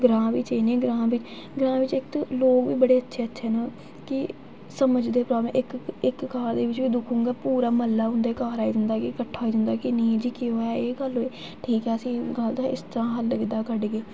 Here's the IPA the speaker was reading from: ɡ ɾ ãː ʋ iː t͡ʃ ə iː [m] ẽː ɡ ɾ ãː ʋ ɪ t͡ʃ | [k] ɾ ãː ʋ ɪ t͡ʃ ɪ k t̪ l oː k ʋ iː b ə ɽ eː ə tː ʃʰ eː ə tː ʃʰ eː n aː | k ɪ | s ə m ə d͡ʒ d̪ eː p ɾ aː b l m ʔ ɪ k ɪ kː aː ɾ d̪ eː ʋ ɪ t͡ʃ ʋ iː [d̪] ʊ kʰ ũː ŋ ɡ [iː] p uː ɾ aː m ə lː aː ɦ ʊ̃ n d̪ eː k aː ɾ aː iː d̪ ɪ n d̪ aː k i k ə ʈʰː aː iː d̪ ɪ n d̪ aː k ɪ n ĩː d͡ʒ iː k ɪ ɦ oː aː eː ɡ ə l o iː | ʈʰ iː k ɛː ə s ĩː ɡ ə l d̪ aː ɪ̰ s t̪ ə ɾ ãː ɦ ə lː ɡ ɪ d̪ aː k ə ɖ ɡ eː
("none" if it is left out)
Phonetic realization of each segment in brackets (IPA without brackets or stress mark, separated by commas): n, ɡ, d̪, aː